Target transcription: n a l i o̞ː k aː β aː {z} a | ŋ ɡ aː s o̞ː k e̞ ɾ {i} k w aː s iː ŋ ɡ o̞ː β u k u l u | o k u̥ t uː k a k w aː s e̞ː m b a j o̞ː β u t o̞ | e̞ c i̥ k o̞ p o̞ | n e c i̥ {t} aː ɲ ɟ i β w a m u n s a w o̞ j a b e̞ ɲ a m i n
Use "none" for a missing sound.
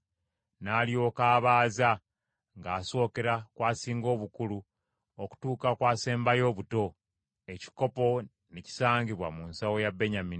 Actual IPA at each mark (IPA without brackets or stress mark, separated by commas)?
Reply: z, a, s